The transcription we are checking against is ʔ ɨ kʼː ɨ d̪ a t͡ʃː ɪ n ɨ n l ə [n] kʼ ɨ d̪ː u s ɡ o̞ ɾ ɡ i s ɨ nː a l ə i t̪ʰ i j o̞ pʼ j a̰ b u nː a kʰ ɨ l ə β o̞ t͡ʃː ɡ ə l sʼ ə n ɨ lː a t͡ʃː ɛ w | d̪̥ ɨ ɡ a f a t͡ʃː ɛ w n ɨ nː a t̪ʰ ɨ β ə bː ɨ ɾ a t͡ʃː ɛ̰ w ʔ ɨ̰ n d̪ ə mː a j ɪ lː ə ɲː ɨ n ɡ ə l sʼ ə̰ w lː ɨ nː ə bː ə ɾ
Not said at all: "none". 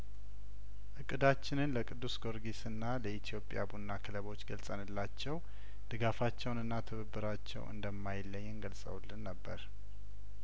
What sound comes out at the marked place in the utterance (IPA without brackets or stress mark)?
none